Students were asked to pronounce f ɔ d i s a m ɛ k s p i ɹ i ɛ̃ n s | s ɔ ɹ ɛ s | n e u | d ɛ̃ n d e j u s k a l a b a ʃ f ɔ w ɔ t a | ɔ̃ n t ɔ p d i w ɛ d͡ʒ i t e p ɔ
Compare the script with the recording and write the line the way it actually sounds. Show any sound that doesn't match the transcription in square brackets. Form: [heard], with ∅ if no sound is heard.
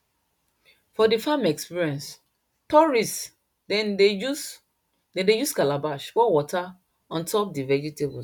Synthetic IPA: f ɔ d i [f] a m ɛ k s p i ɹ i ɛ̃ n s | [t] ɔ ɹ [i] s | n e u | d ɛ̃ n d e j u s k a l a b a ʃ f ɔ w ɔ t a | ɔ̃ n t ɔ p d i [v] ɛ d͡ʒ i t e [b] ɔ